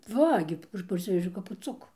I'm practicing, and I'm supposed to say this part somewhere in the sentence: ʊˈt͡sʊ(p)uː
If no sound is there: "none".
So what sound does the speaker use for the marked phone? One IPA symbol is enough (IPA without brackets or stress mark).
k